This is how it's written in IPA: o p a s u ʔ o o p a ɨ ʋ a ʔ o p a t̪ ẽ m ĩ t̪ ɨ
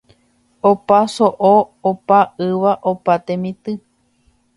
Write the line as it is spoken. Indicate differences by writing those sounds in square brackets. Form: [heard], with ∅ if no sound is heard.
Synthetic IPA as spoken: o p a s [o] ʔ o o p a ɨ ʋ a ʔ o p a t̪ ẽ m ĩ t̪ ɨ